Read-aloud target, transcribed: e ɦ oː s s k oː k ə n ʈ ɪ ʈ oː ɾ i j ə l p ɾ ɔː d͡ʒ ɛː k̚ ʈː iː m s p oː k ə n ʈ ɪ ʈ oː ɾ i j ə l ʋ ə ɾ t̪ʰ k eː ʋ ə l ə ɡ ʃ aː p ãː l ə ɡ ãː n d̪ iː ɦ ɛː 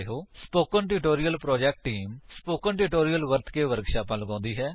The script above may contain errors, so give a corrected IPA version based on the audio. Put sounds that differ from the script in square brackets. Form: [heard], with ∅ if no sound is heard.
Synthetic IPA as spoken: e ɦ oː s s [p] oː k ə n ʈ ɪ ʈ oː ɾ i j ə l p ɾ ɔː d͡ʒ ɛː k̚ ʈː iː m s p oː k ə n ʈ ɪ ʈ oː ɾ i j ə l ʋ ə ɾ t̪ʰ k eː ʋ ə [ɾ] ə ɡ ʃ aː p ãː l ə ɡ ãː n d̪ iː ɦ ɛː